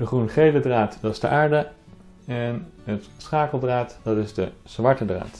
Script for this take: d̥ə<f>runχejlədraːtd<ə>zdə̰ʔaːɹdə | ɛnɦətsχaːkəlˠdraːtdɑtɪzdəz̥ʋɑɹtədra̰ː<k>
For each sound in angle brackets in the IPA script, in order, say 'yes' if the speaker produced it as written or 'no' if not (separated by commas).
no, no, no